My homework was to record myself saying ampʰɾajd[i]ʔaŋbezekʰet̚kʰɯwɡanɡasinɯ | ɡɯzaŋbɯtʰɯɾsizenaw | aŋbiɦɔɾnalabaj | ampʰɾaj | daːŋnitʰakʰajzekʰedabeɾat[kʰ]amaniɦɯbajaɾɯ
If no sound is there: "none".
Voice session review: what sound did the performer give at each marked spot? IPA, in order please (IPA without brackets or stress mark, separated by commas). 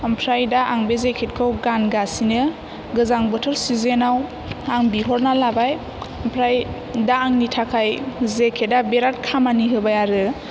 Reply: a, kʰ